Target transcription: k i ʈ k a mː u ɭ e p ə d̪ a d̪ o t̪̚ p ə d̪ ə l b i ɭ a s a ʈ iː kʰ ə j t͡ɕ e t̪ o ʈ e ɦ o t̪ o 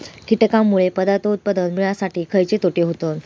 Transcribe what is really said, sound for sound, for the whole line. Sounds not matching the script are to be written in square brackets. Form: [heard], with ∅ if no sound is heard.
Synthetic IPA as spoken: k i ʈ k a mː u ɭ e p ə d̪ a [t̪] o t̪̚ p ə d̪ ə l [m] i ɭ a s a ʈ iː kʰ ə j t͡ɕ e t̪ o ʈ e ɦ o t̪ o